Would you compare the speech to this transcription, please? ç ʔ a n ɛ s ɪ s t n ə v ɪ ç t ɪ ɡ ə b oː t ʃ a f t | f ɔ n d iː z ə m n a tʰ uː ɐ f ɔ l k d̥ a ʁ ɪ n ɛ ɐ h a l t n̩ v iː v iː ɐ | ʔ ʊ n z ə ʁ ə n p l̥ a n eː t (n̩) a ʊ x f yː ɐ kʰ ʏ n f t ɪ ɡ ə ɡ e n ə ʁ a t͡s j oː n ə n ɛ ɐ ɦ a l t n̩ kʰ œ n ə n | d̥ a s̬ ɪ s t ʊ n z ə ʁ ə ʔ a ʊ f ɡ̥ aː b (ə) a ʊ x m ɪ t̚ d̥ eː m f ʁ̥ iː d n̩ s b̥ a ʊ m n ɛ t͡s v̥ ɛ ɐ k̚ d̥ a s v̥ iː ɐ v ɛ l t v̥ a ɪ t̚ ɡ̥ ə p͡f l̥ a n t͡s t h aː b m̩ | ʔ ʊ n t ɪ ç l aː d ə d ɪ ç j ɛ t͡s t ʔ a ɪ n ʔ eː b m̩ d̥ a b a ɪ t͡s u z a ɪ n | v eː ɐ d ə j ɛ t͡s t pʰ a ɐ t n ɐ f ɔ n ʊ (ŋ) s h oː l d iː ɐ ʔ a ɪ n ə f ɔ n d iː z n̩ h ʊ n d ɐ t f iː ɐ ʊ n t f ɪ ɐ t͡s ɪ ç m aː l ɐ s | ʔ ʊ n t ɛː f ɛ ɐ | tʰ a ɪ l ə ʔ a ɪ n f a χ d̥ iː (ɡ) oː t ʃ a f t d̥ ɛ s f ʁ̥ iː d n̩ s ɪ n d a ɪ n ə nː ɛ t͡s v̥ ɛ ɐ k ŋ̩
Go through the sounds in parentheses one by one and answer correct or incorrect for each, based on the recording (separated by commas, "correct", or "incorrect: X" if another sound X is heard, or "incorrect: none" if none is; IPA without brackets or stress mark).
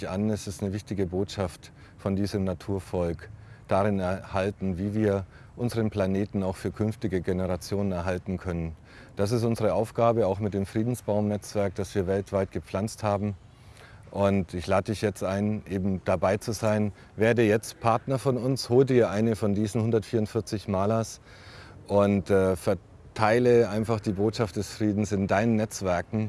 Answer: correct, correct, incorrect: n, incorrect: b